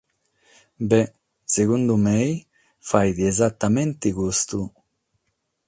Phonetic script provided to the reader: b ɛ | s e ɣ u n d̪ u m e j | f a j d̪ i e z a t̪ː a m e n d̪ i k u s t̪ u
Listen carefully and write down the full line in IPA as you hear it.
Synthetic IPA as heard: b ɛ | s e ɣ u n d̪ u m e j | f a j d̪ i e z a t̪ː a m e n t̪ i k u s t̪ u